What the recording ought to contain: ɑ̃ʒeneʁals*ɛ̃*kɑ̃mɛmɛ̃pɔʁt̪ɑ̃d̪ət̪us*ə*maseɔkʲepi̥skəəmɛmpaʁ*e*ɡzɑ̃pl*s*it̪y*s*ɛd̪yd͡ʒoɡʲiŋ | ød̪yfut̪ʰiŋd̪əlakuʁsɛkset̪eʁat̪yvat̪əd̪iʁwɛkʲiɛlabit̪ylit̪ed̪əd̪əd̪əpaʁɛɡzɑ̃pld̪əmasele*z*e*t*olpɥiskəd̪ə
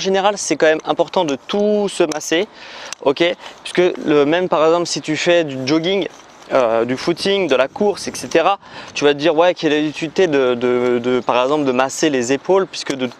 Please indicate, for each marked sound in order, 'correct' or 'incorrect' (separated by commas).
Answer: incorrect, correct, incorrect, correct, incorrect, correct, incorrect